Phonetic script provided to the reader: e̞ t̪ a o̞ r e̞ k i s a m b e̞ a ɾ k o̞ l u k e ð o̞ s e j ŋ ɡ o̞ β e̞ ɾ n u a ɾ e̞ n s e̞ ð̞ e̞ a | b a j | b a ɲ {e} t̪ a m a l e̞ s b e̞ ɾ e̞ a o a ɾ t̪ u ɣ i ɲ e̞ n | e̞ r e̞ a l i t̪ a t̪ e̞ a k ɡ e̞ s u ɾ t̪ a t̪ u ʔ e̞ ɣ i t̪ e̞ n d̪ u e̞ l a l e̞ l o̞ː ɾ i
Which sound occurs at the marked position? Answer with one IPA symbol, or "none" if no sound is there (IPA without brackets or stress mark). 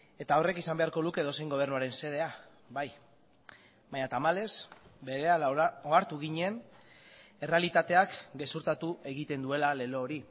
a